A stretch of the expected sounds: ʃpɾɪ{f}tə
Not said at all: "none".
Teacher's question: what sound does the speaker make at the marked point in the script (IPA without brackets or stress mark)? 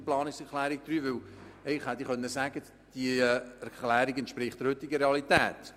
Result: χ